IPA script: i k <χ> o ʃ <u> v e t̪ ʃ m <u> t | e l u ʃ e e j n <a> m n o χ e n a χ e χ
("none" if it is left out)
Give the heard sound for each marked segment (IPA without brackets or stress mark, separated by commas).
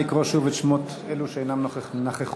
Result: ʁ, u, o, a